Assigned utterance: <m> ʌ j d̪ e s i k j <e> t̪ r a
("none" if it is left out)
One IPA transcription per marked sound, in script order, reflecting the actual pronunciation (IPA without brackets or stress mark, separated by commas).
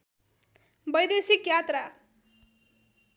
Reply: b, a